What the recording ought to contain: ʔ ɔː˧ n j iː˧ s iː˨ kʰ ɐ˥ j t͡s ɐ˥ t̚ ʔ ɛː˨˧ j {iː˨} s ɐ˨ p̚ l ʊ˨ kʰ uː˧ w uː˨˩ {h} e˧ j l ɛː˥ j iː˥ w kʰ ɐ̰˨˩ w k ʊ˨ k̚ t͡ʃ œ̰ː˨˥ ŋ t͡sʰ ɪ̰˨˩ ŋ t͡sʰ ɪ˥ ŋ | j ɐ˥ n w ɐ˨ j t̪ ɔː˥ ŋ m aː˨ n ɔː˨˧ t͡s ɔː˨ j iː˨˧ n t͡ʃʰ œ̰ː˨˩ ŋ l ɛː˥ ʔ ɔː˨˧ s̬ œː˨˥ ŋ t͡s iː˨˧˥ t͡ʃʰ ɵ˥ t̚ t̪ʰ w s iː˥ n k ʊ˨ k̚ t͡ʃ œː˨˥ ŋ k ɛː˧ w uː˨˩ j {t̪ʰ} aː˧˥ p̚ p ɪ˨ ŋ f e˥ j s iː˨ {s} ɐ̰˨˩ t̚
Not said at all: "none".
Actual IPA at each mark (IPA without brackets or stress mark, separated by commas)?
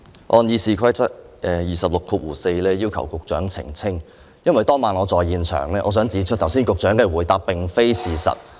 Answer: iː˨, s, t̪, s